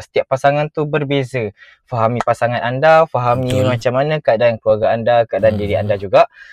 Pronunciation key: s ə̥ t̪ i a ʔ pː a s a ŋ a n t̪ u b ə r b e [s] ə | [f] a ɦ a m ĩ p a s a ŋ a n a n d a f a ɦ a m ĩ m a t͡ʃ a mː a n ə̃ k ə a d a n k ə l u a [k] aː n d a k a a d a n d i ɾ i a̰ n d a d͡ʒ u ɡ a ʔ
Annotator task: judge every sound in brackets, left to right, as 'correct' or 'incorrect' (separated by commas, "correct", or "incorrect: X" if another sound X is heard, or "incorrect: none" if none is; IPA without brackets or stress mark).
incorrect: z, correct, incorrect: ɡ